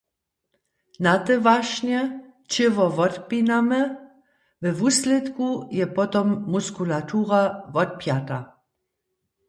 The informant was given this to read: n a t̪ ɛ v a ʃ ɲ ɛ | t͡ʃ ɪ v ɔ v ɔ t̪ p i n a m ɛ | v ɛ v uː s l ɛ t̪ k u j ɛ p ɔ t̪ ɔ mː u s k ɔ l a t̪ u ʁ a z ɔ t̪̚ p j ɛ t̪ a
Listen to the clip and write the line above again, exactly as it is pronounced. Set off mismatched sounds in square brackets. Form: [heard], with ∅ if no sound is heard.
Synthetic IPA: n a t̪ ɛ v a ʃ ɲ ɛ | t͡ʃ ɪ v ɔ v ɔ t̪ p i n a m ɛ | v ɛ v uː s l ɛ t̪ k u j ɛ p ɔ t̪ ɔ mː u s k [u] l a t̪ u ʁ a [v] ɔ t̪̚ p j [a] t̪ a